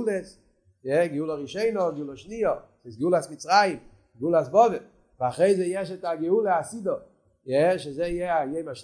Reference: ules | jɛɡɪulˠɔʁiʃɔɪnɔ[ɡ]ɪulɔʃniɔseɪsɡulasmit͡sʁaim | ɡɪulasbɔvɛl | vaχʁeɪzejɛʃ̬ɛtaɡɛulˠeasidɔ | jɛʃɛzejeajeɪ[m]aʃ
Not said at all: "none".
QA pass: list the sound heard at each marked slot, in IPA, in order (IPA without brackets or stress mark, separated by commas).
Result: ɡ, m